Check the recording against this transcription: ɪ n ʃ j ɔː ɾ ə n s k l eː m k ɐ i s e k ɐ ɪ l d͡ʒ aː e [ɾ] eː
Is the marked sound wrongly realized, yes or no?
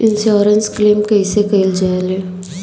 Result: yes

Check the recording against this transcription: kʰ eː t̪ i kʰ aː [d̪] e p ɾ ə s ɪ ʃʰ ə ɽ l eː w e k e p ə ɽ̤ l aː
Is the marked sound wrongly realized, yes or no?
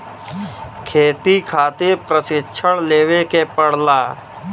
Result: yes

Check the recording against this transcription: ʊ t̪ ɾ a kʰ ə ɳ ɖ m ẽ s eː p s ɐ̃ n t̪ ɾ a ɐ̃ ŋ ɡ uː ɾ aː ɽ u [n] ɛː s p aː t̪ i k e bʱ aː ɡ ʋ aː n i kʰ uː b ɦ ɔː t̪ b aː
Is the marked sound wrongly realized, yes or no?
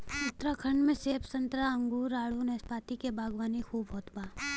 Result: no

